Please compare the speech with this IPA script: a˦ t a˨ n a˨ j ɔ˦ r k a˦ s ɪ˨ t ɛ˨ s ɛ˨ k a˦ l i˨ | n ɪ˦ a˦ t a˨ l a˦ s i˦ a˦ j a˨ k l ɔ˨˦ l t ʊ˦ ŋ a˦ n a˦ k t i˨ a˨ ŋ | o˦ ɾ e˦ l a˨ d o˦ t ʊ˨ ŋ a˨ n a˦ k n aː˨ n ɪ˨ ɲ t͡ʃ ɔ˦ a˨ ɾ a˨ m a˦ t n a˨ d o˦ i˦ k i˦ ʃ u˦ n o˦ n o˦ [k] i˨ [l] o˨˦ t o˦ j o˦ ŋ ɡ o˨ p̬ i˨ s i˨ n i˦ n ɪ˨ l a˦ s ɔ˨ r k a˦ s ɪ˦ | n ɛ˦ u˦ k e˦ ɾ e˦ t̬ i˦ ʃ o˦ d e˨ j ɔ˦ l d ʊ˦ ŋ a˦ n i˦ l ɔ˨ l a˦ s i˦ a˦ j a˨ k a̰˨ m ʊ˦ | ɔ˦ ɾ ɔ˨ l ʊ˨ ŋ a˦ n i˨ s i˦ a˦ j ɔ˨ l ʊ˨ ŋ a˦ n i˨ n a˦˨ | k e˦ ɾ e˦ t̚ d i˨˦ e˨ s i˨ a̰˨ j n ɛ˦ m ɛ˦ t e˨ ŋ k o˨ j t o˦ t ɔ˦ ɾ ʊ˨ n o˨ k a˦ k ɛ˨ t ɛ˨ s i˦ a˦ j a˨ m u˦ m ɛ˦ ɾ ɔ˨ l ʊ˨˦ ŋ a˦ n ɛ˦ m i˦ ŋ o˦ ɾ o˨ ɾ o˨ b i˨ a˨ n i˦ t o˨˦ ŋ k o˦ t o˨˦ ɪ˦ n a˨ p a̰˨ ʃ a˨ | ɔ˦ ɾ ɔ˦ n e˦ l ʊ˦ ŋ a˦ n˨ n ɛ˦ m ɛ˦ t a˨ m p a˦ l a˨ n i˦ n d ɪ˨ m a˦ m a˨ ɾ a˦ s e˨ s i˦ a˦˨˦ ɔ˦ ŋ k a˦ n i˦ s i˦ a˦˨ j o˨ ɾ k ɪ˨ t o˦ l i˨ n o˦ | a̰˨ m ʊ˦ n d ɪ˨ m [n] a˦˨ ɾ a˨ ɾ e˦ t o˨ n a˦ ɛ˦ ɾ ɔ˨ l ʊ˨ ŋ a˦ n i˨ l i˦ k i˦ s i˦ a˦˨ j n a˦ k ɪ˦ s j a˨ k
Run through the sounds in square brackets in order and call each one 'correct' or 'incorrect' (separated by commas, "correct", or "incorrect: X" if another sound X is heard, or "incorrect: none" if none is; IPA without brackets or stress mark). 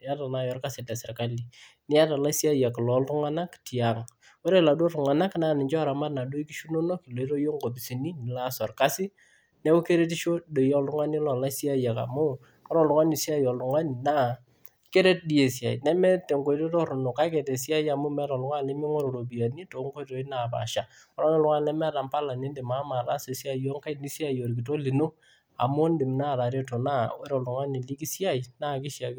correct, correct, correct